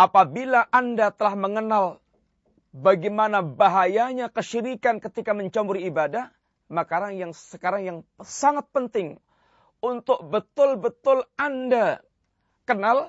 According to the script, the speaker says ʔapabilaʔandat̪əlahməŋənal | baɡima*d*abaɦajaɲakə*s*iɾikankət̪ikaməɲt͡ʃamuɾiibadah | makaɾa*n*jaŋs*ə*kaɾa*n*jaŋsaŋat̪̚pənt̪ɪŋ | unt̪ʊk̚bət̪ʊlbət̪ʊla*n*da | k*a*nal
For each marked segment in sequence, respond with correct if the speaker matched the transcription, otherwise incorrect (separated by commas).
incorrect, incorrect, incorrect, correct, incorrect, correct, incorrect